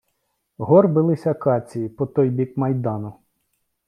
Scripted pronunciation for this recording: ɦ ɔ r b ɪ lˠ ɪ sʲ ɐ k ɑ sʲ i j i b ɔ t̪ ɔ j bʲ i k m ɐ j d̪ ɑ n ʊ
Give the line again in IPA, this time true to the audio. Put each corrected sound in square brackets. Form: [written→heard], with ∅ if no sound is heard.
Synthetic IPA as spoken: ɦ ɔ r b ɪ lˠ ɪ sʲ ɐ k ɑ [sʲ→t͡sʲ] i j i [b→p] ɔ t̪ ɔ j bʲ i k m ɐ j d̪ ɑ n ʊ